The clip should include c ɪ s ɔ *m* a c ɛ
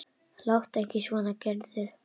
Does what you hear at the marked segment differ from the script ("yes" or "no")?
yes